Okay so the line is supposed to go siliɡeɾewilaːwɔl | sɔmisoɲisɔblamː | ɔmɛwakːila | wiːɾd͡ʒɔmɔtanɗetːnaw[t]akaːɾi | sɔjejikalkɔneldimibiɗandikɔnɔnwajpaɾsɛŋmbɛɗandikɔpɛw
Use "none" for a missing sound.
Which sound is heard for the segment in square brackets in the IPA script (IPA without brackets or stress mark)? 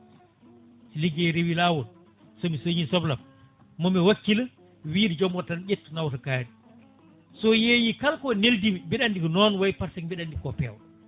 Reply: t